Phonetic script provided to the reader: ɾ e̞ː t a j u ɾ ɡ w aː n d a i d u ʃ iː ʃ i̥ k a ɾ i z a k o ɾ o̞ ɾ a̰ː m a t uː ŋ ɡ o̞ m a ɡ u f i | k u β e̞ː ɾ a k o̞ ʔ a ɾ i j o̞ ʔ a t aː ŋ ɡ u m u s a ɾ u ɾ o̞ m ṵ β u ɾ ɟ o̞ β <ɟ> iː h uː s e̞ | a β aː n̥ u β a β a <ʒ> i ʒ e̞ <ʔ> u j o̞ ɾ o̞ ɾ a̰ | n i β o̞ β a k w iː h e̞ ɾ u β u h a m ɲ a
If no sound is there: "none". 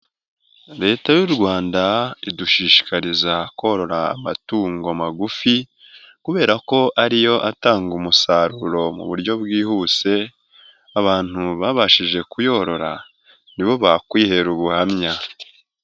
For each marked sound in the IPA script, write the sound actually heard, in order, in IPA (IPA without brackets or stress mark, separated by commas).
ɡ, ʃ, k